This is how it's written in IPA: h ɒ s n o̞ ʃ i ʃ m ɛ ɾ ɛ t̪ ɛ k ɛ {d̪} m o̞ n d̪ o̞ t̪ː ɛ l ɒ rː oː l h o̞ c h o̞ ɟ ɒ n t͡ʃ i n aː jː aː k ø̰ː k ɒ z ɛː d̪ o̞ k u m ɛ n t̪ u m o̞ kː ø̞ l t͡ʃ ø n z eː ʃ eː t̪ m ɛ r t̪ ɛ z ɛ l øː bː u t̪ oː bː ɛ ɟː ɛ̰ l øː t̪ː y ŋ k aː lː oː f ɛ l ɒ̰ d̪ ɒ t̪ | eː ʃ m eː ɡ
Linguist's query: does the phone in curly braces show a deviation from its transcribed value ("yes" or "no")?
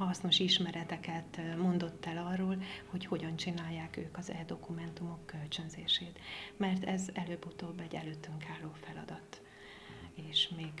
yes